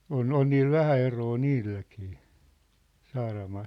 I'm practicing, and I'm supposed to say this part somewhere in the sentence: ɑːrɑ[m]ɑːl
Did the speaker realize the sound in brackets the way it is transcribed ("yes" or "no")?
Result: yes